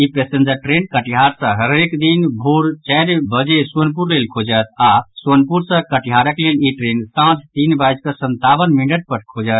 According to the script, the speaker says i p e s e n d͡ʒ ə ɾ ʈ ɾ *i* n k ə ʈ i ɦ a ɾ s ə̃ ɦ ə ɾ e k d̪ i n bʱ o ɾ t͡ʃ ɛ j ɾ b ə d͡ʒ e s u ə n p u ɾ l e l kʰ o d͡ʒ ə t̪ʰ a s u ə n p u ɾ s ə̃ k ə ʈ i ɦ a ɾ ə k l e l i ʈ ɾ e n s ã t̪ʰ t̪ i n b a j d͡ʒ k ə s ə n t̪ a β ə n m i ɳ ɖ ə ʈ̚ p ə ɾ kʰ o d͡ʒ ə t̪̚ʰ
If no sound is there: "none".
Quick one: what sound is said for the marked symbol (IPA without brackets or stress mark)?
e